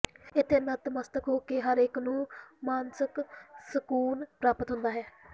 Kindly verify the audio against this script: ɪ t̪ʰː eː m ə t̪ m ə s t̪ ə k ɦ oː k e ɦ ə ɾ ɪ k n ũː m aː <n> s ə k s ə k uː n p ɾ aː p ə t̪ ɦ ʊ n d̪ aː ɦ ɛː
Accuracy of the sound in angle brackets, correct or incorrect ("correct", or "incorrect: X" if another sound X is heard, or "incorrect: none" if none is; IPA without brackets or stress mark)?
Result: correct